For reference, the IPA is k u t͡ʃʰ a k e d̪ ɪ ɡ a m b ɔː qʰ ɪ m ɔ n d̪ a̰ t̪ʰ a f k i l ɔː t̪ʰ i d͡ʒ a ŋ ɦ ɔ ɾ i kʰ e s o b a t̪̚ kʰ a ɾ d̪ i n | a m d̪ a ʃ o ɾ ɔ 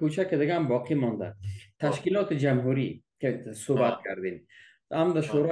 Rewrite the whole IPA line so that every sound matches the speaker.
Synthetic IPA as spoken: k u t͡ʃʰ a k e d̪ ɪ ɡ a m b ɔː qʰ i m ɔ n d̪ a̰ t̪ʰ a ʃ k i l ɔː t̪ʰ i d͡ʒ a m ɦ u ɾ i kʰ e s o b a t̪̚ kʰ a ɾ d̪ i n | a m d̪ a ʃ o ɾ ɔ

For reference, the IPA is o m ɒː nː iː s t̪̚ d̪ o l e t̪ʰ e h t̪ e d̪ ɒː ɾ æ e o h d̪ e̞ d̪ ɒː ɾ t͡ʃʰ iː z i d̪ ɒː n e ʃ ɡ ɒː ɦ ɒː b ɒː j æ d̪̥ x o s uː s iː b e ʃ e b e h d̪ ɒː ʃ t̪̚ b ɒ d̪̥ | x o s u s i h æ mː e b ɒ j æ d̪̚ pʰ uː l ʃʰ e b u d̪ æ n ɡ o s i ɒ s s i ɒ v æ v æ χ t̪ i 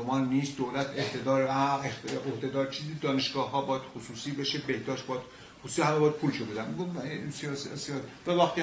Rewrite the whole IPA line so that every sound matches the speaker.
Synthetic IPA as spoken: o m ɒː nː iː s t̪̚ d̪ o l æ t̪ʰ e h t̪ e d̪ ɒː ɾ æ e o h d̪ e̞ d̪ ɒː ɾ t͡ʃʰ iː z i d̪ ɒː n e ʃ ɡ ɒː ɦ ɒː b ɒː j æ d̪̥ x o s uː s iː b e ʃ e b e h d̪ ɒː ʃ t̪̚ b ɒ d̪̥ | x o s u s i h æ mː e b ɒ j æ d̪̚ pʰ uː l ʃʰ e b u d̪ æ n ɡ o s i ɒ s s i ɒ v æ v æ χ t̪ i

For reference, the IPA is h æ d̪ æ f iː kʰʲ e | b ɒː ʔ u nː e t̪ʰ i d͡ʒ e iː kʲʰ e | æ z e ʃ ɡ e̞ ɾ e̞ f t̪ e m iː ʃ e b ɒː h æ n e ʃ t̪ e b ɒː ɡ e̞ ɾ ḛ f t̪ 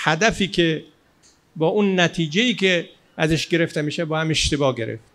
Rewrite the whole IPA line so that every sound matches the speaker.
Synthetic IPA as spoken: h æ d̪ æ f iː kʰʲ e | b ɒː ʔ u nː æ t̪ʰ iː d͡ʒ e iː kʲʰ e | æ z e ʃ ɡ e̞ ɾ e̞ f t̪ e m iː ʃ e b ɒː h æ m e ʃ t̪ e b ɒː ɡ e̞ ɾ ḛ f t̪

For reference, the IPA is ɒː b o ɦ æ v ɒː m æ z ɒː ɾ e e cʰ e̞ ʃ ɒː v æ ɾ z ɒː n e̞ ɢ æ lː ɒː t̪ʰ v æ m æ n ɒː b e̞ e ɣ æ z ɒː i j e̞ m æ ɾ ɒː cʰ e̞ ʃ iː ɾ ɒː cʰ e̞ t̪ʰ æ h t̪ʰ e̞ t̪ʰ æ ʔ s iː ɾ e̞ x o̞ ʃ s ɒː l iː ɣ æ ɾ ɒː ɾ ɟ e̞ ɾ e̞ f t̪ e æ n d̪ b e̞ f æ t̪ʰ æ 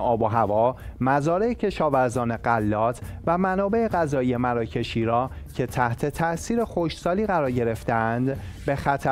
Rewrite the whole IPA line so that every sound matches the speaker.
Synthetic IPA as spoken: ɒː b o ɦ æ v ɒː m æ z ɒː ɾ e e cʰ e̞ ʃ ɒː v æ ɾ z ɒː n e̞ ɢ æ lː ɒː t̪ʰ v æ m æ n ɒː b e̞ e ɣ æ z ɒː i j e̞ m æ ɾ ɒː cʰ e̞ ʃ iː ɾ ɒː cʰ e̞ t̪ʰ æ h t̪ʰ e̞ t̪ʰ æ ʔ s iː ɾ e̞ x o̞ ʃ s ɒː l iː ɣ æ ɾ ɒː ɾ ɟ e̞ ɾ e̞ f t̪ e æ n d̪ b e̞ x æ t̪ʰ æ

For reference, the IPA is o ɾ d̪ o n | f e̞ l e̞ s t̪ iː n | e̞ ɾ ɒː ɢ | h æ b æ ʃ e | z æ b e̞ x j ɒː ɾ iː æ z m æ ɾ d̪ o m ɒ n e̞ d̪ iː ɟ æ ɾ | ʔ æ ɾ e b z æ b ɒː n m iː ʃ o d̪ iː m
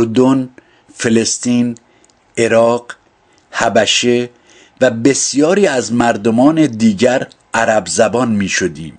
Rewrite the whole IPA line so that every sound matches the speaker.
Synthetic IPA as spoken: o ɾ d̪ o n | f e̞ l e̞ s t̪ iː n | e̞ ɾ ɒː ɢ | h æ b æ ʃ e | v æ b e̞ s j ɒː ɾ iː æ z m æ ɾ d̪ o m ɒː n e̞ d̪ iː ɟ æ ɾ | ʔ æ ɾ æ b z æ b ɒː n m iː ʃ o d̪ iː m

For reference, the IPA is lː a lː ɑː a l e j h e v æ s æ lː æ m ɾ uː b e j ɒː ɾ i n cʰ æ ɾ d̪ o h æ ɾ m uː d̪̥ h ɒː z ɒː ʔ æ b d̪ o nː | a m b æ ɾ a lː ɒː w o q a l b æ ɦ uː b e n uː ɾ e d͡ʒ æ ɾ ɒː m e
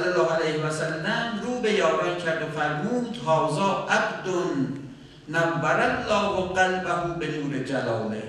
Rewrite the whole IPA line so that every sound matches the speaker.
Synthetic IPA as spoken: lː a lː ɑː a l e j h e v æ s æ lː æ m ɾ uː b e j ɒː ɾ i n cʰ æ ɾ d̪ o f æ ɾ m uː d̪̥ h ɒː z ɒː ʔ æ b d̪ o nː | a m b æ ɾ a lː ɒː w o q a l b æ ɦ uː b e n uː ɾ e d͡ʒ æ l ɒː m e

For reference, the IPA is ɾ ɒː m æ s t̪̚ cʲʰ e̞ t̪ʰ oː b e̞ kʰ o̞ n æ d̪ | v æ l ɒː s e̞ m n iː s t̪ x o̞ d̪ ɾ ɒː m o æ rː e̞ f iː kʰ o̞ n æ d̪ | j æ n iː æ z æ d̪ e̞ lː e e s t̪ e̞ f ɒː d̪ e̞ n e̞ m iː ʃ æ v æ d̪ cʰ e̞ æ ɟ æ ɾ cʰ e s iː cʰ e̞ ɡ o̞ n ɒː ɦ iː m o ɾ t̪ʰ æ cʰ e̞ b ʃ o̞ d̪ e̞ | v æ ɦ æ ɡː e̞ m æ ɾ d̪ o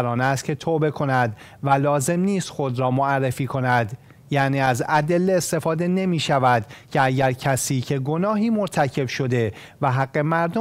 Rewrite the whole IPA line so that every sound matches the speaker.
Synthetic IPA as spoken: ɾ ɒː n æ s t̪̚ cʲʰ e̞ t̪ʰ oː b e̞ kʰ o̞ n æ d̪ | v æ l ɒː z e̞ m n iː s t̪ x o̞ d̪ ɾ ɒː m o æ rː e̞ f iː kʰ o̞ n æ d̪ | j æ n iː æ z æ d̪ e̞ lː e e s t̪ e̞ f ɒː d̪ e̞ n e̞ m iː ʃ æ v æ d̪ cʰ e̞ æ ɟ æ ɾ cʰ æ s iː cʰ e̞ ɡ o̞ n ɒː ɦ iː m o ɾ t̪ʰ æ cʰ e̞ b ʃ o̞ d̪ e̞ | v æ ɦ æ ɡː e̞ m æ ɾ d̪ o

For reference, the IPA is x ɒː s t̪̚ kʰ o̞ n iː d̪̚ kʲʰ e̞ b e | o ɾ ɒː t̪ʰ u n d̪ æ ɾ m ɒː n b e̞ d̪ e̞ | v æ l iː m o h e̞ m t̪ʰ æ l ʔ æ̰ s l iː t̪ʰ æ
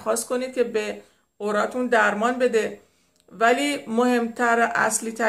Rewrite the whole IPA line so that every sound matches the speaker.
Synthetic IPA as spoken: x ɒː s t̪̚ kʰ o̞ n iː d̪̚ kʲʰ e̞ b e | o ɾ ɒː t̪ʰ u n d̪ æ ɾ m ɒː n b e̞ d̪ e̞ | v æ l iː m o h e̞ m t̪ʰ æ ɾ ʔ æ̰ s l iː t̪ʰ æ

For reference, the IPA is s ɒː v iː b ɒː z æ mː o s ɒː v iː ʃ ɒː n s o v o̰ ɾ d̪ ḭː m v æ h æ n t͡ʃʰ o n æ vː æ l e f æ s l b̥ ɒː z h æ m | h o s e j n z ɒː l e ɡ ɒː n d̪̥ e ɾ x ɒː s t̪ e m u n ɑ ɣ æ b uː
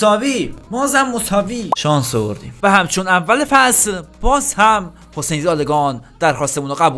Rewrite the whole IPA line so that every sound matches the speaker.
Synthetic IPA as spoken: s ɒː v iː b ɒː z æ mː o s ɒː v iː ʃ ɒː n s o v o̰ ɾ d̪ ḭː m v æ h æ m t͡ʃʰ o n æ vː æ l e f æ s l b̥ ɒː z h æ m | h o s e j n z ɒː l e ɡ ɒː n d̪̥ æ ɾ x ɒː s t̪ e m u n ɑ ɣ æ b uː

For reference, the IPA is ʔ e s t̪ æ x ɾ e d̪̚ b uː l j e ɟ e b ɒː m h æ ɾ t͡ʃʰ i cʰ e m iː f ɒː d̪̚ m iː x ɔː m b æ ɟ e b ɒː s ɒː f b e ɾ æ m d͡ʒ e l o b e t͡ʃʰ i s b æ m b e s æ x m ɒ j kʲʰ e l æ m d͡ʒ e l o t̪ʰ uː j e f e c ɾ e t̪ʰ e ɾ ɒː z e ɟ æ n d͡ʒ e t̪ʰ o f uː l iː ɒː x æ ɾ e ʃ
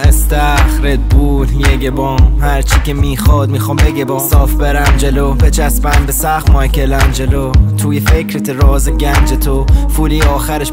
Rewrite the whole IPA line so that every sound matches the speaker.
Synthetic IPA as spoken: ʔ e s t̪ æ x ɾ e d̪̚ b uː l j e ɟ e b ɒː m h æ ɾ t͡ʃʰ i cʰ e m iː x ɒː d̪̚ m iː x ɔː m b e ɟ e b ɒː s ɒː f b e ɾ æ m d͡ʒ e l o b e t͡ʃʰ æ s b æ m b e s æ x m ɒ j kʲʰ e l æ m d͡ʒ e l o t̪ʰ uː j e f e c ɾ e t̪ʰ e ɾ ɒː z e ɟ æ n d͡ʒ e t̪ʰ o f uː l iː ɒː x æ ɾ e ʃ

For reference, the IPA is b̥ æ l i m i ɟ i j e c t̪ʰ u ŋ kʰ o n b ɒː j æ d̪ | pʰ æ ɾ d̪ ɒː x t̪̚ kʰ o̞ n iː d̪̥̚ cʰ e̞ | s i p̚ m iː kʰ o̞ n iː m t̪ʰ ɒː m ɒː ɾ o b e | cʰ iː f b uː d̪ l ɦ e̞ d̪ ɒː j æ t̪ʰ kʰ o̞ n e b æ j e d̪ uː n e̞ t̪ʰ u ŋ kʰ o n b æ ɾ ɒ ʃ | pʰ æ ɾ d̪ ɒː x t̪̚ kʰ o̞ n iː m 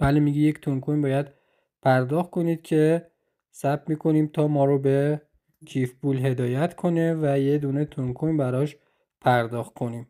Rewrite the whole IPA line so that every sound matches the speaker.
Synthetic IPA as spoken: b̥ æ l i m i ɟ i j e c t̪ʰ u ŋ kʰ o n b ɒː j æ d̪ | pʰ æ ɾ d̪ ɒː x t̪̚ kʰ o̞ n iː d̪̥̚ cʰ e̞ | s æ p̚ m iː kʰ o̞ n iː m t̪ʰ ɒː m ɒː ɾ o b e | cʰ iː f b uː l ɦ e̞ d̪ ɒː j æ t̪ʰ kʰ o̞ n e v æ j e d̪ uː n e̞ t̪ʰ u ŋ kʰ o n b æ ɾ ɒ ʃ | pʰ æ ɾ d̪ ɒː x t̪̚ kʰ o̞ n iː m

